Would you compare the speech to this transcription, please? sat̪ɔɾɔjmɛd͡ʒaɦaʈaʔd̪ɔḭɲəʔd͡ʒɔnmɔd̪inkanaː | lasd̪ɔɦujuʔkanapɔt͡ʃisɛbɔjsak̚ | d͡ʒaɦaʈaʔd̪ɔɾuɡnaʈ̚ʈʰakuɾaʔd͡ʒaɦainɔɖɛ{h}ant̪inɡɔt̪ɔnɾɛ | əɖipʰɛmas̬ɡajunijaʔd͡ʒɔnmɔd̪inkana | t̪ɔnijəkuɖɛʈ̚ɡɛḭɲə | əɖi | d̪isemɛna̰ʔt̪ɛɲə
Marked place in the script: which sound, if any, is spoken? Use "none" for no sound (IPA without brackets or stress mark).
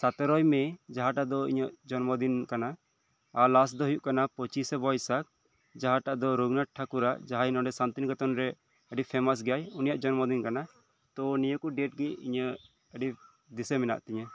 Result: s